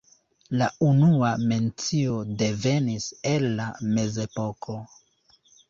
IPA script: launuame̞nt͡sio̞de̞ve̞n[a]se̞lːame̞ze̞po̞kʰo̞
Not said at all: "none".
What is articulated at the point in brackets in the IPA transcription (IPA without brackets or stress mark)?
i